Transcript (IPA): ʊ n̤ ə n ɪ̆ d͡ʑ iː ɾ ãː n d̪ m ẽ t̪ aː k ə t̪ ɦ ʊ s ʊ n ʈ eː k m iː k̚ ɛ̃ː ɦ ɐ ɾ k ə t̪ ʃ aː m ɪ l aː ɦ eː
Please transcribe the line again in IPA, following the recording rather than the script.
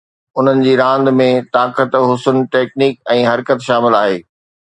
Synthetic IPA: ʊ n̤ ə n ɪ̆ d͡ʑ iː ɾ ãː n d̪ m ẽ t̪ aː k ə t̪ ɦ ʊ s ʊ n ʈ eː k n iː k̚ ɛ̃ː ɦ ɐ ɾ k ə t̪ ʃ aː m ɪ l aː ɦ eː

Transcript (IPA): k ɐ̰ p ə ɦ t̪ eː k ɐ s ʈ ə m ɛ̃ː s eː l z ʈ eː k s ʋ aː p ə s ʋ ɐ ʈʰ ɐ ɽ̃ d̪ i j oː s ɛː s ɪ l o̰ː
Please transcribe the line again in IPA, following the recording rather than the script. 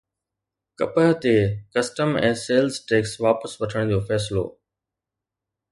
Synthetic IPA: k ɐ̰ p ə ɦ t̪ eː k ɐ s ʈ ə m ɛ̃ː s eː l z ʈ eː k s ʋ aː p ə s ʋ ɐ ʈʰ ə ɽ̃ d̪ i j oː f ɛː s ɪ l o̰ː

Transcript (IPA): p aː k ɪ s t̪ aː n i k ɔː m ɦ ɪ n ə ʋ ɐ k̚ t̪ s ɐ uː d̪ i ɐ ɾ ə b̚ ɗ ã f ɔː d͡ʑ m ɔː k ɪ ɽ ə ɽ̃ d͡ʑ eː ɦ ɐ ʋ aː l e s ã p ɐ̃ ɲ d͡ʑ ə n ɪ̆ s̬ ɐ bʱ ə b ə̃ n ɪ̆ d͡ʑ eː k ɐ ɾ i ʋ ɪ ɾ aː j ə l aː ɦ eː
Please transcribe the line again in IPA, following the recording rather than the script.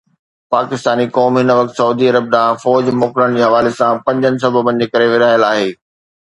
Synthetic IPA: p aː k ɪ s t̪ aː n i k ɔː m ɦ ɪ n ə ʋ ɐ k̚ t̪ s ɐ uː d̪ i ɐ ɾ ə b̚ ɗ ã f ɔː d͡ʑ m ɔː k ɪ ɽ ə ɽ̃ d͡ʑ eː ɦ ɐ ʋ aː l e s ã p ɐ̃ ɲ d͡ʑ ə n ɪ̆ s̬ ɐ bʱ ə b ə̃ n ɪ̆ d͡ʑ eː k ɐ ɾ e ʋ ɪ ɾ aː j ə l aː ɦ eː

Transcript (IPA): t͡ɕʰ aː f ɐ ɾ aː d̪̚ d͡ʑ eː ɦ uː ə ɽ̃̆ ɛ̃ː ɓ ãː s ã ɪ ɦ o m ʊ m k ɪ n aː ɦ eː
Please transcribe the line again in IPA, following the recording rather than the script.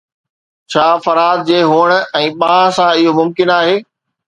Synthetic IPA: t͡ɕʰ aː f ɐ ɾ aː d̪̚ d͡ʑ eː ɦ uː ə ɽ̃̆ ɛ̃ː ɓ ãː s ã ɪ ɦ o m ʊ m k ɪ n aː ɦ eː

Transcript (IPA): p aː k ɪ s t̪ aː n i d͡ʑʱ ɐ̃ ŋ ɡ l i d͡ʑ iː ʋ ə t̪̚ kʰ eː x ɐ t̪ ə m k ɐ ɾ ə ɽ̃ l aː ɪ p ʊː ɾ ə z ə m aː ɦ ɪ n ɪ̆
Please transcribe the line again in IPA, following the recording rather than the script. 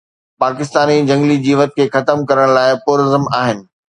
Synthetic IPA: p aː k ɪ s t̪ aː n i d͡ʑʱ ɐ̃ ŋ ɡ l i d͡ʑ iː ʋ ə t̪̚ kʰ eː x ɐ t̪ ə m k ɐ ɾ ə ɽ̃ l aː ɪ p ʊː ɾ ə z ə m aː ɦ ɪ n ɪ̆

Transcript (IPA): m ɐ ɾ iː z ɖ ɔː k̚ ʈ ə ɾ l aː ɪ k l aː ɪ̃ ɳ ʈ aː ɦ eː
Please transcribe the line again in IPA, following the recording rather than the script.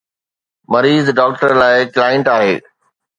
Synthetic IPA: m ɐ ɾ iː z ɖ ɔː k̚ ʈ ə ɾ l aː ɪ k l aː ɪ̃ ɳ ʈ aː ɦ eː

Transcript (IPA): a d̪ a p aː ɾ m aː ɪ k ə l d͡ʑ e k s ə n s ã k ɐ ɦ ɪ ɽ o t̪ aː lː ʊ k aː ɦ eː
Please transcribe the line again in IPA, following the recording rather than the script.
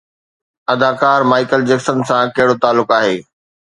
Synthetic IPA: ɐ d̪ a k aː ɾ m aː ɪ k ə l d͡ʑ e k s ə n s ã k ɐ ɦ ɪ ɽ o t̪ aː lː ʊ k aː ɦ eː

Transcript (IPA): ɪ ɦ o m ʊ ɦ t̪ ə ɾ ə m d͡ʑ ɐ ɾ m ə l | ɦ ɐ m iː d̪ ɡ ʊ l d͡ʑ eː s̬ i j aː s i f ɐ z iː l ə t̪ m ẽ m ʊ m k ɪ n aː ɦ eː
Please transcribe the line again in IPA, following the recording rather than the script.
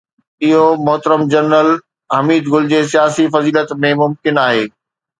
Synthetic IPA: ɪ ɦ o m ʊ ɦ t̪ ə ɾ ə m d͡ʑ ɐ ɾ n ə l | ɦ ɐ m iː d̪ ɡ ʊ l d͡ʑ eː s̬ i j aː s i f ɐ z iː l ə t̪ m ẽ m ʊ m k ɪ n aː ɦ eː

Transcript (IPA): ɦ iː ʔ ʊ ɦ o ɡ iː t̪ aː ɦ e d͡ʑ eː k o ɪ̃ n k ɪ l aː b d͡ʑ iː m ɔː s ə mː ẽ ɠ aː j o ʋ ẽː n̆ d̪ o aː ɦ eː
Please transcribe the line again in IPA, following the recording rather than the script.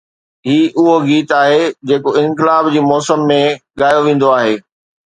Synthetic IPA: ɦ iː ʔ ʊ ɦ o ɡ iː t̪ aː ɦ e d͡ʑ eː k o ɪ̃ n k ɪ l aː b d͡ʑ iː m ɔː s ə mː ẽ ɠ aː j o ʋ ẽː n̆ d̪ o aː ɦ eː

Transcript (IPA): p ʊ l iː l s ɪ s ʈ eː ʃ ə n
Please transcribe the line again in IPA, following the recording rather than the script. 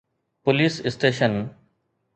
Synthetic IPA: p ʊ l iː s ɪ s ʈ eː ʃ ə n

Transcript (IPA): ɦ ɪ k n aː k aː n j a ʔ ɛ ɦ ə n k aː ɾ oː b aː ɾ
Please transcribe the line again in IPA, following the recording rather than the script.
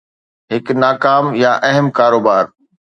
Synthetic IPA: ɦ ɪ k n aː k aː m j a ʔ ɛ ɦ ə m k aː ɾ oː b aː ɾ

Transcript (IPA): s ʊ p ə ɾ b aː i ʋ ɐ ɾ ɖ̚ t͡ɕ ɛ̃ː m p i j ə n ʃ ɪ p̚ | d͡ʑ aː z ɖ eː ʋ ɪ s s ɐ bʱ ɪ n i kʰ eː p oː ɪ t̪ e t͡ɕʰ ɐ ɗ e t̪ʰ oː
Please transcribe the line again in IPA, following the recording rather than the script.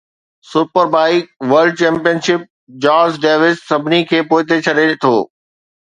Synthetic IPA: s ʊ p ə ɾ b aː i ʋ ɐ ɾ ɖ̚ t͡ɕ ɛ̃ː m p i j ə n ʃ ɪ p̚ | d͡ʑ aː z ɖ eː ʋ ɪ s s ɐ bʱ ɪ n i kʰ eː p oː ɪ t̪ e t͡ɕʰ ɐ ɗ e t̪ʰ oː

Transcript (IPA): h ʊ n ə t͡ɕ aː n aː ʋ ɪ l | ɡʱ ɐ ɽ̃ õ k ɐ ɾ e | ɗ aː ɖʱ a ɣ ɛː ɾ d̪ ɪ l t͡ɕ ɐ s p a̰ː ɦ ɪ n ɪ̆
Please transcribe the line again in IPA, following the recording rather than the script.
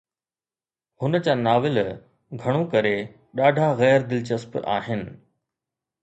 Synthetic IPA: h ʊ n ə t͡ɕ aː n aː ʋ ɪ l | ɡʱ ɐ ɽ̃ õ k ɐ ɾ e | ɗ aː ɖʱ a ɣ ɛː ɾ d̪ ɪ l t͡ɕ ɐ s p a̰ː ɦ ɪ n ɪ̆

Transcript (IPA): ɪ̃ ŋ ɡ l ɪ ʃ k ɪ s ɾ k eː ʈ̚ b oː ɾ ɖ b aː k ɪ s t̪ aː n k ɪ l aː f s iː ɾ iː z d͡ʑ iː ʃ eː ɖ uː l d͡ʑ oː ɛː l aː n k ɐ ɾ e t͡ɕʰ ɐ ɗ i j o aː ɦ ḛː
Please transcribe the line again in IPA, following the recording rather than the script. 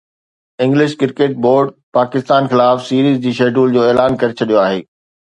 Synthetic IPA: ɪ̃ ŋ ɡ l ɪ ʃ k ɪ ɾ k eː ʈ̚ b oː ɾ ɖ p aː k ɪ s t̪ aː n x ɪ l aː f s iː ɾ iː z d͡ʑ iː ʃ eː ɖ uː l d͡ʑ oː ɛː l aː n k ɐ ɾ e t͡ɕʰ ɐ ɗ i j o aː ɦ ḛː

